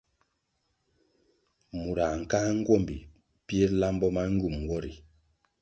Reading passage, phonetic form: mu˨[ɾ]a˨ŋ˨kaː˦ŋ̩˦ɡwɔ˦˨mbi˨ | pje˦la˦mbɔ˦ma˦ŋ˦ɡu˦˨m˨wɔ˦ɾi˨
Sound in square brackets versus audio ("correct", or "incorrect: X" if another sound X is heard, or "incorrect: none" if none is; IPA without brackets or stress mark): correct